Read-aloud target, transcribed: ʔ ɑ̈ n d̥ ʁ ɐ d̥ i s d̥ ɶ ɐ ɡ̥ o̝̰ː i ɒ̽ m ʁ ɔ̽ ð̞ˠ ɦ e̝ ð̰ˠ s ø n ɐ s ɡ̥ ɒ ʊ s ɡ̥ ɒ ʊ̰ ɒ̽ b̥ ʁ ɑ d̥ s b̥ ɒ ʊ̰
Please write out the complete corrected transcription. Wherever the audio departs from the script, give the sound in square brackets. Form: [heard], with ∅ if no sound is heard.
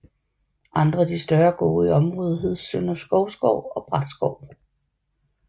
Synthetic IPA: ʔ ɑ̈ n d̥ ʁ ɐ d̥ i s d̥ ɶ ɐ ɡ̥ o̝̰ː i ɒ̽ m ʁ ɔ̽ ð̞ˠ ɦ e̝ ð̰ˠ s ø n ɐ s ɡ̥ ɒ ʊ s ɡ̥ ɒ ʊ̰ ɒ̽ b̥ ʁ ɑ d̥ s [ɡ̥] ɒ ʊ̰